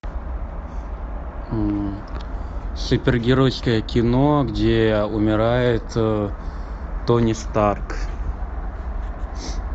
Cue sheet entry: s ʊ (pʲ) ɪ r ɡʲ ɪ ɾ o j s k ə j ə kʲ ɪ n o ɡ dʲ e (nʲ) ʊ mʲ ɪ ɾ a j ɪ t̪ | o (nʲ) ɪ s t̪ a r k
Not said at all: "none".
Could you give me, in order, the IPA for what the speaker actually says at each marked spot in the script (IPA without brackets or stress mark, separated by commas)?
pʲ, none, nʲ